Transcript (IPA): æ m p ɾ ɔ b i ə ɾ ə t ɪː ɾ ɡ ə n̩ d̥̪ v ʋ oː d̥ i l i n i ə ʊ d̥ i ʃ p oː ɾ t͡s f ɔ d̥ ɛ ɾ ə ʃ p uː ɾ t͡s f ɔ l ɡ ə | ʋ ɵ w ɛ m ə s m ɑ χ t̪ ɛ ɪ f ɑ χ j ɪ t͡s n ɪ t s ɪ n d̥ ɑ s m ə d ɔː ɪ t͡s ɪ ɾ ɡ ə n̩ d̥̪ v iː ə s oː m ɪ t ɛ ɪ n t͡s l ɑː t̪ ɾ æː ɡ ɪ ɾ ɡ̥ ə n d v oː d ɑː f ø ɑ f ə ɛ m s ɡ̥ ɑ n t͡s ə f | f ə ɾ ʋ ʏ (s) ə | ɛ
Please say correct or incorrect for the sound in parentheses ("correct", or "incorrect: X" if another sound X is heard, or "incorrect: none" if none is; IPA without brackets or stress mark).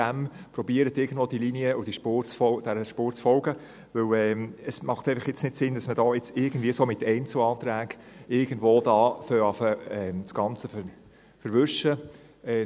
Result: incorrect: ʃ